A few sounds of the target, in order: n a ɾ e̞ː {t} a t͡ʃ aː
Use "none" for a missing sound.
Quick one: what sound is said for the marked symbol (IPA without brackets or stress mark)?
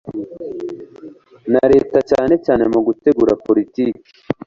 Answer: t